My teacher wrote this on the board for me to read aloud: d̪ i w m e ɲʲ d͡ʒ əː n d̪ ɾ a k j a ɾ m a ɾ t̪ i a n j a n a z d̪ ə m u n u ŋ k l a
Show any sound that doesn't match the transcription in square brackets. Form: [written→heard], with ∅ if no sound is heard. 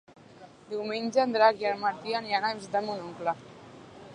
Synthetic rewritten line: d̪ i w m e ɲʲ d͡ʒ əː n d̪ ɾ a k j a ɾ m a ɾ t̪ i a n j a n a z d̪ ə m u n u ŋ k l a